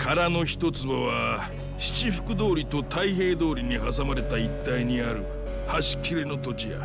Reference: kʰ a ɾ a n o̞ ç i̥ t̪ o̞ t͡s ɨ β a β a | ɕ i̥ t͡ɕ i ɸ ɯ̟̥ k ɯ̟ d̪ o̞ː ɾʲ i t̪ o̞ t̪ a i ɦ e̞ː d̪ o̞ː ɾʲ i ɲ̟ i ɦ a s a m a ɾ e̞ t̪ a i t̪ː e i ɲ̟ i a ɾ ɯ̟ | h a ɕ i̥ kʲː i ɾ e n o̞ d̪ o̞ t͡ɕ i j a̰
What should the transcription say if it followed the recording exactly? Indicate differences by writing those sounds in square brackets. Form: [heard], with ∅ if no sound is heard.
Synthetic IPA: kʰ a ɾ a n o̞ ç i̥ t̪ o̞ t͡s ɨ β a β a | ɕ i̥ t͡ɕ i ɸ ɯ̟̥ k ɯ̟ d̪ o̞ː ɾʲ i t̪ o̞ t̪ a i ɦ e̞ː d̪ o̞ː ɾʲ i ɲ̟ i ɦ a s a m a ɾ e̞ t̪ a i t̪ː [a] i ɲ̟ i a ɾ ɯ̟ | h a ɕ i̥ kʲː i ɾ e n o̞ [t̪] o̞ t͡ɕ i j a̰